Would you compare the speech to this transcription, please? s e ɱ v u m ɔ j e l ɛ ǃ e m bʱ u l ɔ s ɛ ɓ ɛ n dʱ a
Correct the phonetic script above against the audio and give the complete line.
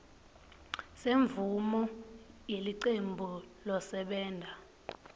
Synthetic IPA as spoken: s e ɱ v u m ɔ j e l i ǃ e m bʱ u l ɔ s ɛ ɓ ɛː n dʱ a